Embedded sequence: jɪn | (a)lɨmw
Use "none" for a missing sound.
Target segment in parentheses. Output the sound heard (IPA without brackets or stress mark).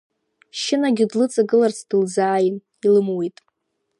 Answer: i